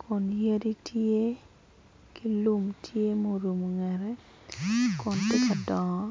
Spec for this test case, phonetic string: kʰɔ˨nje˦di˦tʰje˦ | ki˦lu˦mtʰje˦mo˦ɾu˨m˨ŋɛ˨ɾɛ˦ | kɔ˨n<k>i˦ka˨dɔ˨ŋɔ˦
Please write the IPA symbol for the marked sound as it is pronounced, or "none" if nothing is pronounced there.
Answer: t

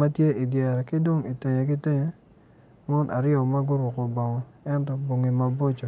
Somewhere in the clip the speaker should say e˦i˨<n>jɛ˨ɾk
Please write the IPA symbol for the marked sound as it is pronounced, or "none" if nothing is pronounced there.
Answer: d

